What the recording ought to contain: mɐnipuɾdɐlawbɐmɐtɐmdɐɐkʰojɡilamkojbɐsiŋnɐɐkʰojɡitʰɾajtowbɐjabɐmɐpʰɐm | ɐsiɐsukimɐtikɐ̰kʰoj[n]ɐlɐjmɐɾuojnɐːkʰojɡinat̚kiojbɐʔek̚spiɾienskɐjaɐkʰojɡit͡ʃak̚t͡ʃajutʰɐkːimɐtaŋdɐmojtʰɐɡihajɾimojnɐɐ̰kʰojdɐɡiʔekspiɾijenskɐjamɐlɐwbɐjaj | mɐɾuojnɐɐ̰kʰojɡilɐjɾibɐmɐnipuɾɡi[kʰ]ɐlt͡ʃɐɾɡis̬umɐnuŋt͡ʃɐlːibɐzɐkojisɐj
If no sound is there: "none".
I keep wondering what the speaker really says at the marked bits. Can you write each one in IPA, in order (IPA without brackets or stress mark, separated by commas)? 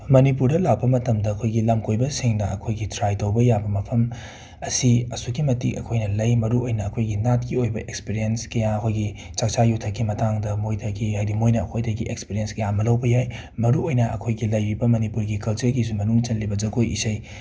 n, k